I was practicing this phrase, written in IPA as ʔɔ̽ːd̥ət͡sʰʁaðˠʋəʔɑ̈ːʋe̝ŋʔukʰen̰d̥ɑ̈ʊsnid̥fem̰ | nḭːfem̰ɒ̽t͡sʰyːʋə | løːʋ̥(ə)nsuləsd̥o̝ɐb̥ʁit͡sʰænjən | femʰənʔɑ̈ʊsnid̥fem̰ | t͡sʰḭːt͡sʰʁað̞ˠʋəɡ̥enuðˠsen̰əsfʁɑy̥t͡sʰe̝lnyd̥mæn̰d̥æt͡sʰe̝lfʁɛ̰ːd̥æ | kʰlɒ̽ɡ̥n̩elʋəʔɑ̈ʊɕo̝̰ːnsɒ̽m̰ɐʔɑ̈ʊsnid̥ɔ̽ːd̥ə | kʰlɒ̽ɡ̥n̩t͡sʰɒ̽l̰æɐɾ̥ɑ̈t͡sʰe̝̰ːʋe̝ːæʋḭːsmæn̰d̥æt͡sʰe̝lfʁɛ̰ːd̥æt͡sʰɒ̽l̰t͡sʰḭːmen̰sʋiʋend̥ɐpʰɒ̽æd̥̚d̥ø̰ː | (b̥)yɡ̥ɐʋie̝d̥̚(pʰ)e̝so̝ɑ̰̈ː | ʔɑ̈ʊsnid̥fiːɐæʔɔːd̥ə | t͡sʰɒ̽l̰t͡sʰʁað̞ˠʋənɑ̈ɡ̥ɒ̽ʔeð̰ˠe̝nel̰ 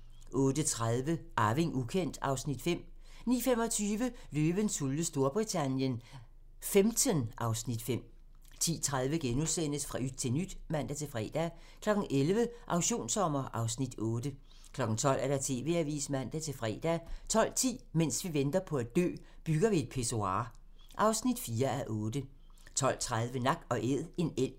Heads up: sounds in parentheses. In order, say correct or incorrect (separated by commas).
correct, correct, correct